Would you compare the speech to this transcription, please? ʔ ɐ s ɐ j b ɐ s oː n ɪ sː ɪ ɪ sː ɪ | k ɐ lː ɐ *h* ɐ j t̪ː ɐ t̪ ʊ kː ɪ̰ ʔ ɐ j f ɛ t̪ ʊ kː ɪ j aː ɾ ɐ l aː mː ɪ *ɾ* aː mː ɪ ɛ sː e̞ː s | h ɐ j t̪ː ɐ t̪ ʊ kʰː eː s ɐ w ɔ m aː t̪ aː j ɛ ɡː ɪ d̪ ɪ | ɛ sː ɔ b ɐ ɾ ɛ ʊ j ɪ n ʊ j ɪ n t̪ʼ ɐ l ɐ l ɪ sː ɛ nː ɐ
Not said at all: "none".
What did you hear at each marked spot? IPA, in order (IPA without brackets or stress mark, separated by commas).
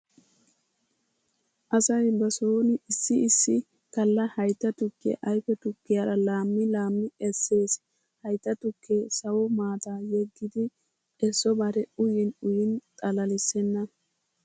h, l